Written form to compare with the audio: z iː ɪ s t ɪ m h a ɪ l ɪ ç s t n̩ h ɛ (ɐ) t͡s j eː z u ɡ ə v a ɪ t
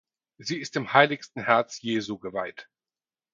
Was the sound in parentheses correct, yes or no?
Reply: yes